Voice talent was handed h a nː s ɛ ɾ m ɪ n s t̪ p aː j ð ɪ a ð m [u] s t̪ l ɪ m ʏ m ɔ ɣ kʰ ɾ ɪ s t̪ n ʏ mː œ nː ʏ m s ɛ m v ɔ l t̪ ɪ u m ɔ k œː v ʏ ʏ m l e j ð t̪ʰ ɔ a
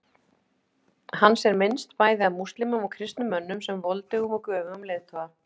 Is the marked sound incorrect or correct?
correct